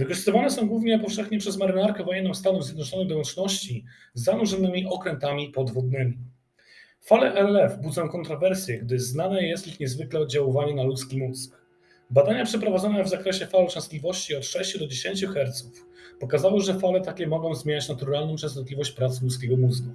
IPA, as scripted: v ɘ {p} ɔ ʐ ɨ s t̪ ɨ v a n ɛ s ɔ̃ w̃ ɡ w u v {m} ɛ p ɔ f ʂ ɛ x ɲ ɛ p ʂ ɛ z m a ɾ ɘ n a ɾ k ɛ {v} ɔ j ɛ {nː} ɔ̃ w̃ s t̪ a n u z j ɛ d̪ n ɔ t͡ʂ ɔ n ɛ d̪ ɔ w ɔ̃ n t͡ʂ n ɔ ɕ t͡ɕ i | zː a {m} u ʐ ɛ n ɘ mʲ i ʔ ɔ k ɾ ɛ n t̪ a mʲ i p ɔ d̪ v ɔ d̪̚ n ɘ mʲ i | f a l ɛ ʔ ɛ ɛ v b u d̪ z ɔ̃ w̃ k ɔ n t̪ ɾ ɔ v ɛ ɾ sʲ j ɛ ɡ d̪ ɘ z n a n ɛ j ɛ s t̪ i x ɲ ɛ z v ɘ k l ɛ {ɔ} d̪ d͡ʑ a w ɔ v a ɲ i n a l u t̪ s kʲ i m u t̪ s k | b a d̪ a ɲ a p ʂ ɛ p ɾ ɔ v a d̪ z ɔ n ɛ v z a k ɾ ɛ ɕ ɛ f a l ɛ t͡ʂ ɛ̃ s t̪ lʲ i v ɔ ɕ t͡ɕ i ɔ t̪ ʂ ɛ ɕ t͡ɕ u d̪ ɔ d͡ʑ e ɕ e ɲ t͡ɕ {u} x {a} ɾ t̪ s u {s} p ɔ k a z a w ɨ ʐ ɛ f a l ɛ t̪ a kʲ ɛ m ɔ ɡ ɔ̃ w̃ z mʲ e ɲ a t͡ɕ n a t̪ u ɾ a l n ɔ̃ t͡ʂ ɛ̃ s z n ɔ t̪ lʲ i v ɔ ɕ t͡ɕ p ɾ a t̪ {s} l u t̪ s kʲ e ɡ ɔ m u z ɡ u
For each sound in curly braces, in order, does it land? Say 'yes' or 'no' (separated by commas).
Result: no, no, yes, yes, no, yes, yes, no, no, yes